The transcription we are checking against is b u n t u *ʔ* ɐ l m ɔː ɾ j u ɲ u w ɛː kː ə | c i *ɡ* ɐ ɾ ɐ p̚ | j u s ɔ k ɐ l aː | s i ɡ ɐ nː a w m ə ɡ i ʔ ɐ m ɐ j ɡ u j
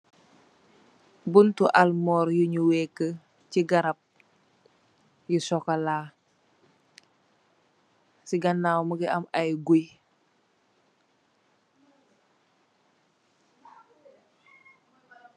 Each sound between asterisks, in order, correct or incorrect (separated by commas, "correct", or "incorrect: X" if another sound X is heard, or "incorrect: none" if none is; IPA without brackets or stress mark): correct, correct